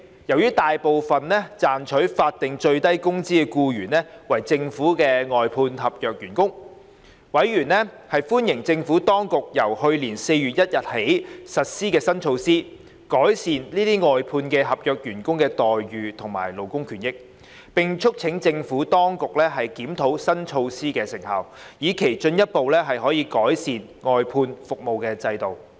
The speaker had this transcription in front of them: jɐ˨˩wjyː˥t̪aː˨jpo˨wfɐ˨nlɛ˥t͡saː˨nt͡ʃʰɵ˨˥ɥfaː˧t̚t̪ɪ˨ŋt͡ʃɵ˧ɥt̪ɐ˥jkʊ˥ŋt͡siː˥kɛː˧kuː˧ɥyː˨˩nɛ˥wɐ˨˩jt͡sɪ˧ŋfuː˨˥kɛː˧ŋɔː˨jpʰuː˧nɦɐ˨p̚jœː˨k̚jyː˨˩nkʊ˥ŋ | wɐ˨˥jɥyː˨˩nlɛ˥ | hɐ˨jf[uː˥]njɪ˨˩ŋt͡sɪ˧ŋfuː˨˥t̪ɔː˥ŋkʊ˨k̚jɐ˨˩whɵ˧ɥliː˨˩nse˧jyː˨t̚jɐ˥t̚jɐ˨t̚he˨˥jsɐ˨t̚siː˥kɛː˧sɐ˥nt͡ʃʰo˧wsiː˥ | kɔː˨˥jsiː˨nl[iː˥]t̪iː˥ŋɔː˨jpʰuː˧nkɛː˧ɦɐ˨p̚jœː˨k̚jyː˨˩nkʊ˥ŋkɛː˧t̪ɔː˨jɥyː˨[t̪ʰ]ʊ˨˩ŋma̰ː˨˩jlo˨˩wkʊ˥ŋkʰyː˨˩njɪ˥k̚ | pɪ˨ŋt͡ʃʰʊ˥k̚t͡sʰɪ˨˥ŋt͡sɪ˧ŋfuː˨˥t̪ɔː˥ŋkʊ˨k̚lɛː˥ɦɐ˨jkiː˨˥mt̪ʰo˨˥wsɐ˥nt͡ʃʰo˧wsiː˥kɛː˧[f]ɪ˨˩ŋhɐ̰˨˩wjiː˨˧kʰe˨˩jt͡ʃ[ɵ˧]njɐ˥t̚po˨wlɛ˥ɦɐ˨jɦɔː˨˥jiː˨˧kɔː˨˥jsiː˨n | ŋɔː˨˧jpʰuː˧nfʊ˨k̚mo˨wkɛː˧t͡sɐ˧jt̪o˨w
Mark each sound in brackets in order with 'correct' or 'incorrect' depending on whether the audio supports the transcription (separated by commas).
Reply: correct, correct, correct, incorrect, correct